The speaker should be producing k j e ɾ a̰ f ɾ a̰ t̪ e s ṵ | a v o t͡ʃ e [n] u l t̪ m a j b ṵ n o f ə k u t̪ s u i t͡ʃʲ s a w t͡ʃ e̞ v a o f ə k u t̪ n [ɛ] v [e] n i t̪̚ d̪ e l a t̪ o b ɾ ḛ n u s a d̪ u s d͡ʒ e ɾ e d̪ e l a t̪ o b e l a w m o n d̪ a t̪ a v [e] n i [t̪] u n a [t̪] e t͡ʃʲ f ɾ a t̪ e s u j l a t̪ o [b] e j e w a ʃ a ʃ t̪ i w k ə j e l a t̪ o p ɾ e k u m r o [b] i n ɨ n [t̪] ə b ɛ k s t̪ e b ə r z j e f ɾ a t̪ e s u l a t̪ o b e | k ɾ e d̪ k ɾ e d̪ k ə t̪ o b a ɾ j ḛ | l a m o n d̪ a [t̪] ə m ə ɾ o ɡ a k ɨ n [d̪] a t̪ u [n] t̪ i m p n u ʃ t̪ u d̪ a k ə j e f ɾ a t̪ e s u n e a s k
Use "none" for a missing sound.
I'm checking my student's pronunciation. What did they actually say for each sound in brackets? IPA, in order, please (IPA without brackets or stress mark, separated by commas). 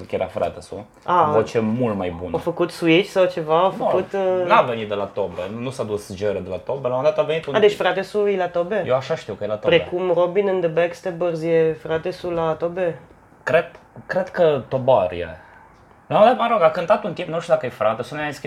m, a, e, e, t̪, d̪, b, b, d̪, t̪, t̪, n